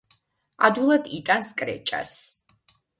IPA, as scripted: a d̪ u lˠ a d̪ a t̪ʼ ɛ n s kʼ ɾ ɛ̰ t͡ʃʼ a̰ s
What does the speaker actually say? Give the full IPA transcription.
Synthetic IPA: a d̪ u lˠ a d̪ i t̪ʼ a n s kʼ ɾ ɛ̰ t͡ʃʼ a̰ s